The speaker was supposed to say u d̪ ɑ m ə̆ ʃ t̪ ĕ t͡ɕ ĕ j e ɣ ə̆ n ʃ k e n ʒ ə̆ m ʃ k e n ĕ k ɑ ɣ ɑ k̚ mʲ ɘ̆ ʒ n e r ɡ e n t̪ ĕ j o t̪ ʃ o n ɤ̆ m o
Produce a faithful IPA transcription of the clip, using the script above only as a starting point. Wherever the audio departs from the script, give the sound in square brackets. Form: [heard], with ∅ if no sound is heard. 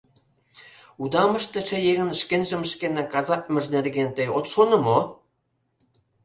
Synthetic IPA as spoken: u d̪ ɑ m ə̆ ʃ t̪ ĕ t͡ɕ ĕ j e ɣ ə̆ n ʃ k e n ʒ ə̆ m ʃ k e n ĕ k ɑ [z] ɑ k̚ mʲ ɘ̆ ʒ n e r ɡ e n t̪ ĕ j o t̪ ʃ o n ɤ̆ m o